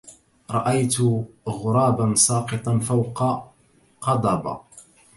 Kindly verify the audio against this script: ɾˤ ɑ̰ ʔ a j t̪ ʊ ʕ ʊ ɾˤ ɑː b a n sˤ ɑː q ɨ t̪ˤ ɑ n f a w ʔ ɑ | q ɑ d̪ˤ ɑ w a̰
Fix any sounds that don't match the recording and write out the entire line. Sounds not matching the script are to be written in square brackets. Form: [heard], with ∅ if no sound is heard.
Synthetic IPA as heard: ɾˤ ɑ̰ ʔ a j t̪ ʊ [ɣ] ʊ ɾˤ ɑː b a n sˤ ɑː q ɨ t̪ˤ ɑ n f a w [q] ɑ | q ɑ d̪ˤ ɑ [b] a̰